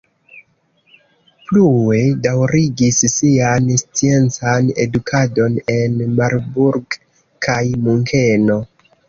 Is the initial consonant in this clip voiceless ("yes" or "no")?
yes